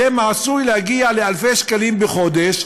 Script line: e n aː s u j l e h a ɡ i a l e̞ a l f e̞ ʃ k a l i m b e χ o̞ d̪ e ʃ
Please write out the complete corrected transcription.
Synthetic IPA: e m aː s u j l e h a ɡ i a l e̞ a l f e̞ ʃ k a l i m b e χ o̞ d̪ e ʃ